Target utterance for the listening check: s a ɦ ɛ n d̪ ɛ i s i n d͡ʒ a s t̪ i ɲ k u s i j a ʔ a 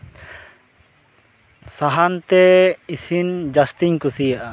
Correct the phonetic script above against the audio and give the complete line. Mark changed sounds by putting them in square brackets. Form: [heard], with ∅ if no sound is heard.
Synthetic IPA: s a ɦ [a] n [t̪] ɛ i s i n d͡ʒ a s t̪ i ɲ k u s i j a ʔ a